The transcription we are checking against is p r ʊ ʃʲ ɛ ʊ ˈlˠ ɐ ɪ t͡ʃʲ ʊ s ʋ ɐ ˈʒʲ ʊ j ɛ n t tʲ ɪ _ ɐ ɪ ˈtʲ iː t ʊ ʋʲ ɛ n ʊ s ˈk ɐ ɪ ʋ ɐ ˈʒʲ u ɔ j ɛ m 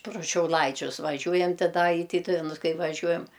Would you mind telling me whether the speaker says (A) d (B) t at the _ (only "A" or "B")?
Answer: A